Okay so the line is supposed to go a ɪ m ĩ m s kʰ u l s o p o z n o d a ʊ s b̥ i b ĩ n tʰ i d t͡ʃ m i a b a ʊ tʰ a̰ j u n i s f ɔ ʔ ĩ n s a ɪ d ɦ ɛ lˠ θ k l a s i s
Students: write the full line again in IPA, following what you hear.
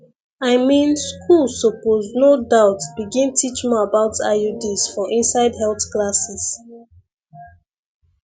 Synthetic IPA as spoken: a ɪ m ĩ n s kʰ u l s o p o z n o d a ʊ t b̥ i ɡ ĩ n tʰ i t͡ʃ m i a b a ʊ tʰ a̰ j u d i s f ɔ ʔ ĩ n s a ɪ d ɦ ɛ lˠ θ k l a s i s